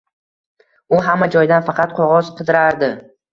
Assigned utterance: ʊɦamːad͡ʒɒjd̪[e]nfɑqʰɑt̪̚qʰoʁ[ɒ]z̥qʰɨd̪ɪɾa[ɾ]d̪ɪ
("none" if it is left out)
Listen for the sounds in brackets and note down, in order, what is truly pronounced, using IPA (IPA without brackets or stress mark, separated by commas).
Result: a, ɒ, ɾ